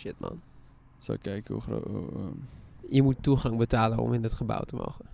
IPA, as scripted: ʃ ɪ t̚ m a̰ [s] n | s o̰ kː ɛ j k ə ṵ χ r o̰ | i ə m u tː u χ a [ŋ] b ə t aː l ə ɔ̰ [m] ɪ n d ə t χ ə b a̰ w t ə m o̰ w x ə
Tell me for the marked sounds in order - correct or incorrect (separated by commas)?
incorrect, correct, correct